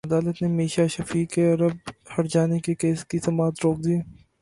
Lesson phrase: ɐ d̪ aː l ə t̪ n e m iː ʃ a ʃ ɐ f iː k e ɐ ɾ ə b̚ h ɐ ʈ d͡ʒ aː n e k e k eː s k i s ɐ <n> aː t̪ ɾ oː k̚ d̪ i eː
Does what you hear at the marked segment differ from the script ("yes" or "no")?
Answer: yes